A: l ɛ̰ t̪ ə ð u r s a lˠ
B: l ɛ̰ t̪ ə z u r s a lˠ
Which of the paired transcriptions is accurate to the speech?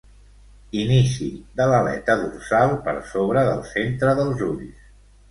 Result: A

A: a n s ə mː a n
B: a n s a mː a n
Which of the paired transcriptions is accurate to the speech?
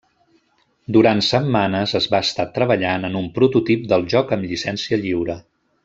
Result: A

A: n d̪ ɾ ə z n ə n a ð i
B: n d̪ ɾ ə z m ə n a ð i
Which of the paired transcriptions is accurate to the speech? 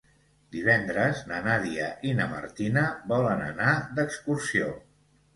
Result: A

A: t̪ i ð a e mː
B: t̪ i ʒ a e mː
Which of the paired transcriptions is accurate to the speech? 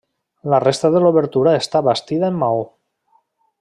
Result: A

